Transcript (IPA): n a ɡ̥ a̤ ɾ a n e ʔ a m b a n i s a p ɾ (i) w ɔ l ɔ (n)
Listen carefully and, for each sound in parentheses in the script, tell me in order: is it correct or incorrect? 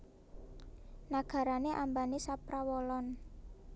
incorrect: a, correct

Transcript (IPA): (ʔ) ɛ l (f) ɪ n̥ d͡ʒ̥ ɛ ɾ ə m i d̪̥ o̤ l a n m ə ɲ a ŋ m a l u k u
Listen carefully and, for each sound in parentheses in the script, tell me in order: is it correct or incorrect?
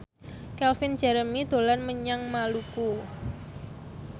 incorrect: k, correct

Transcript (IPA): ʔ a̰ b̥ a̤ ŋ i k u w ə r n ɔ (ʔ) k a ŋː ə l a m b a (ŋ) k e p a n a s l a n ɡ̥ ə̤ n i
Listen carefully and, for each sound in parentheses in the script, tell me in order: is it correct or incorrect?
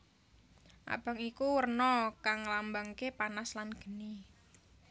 incorrect: none, correct

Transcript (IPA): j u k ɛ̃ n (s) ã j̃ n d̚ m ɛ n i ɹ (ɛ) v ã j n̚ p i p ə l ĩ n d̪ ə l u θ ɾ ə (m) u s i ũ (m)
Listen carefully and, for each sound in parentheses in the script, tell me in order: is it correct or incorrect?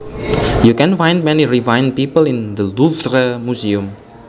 incorrect: f, incorrect: i, correct, correct

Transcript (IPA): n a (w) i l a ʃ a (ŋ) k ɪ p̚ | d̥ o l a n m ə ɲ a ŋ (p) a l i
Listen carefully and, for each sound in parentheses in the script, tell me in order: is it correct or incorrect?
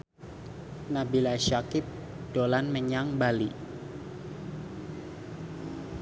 incorrect: b, incorrect: none, incorrect: b

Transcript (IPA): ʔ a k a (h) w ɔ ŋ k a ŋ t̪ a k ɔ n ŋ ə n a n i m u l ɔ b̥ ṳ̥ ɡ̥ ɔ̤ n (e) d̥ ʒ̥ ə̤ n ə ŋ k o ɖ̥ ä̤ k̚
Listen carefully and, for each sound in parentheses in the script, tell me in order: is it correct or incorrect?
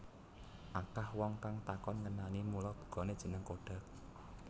correct, correct

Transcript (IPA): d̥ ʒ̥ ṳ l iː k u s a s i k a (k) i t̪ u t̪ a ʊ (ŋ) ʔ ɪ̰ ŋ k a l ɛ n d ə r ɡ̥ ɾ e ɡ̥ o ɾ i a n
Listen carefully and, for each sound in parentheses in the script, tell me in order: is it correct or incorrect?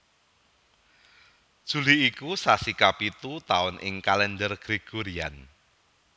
incorrect: p, incorrect: n

